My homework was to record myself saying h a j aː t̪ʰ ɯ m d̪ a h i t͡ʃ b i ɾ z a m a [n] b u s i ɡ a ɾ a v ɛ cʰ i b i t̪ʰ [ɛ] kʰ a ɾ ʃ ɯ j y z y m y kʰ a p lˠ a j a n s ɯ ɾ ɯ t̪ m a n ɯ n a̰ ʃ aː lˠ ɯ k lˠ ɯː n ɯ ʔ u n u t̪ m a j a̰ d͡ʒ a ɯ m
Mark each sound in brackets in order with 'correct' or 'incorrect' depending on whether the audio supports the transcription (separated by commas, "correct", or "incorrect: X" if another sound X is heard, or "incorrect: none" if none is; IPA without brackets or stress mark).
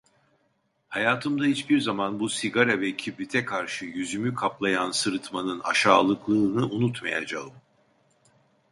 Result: correct, correct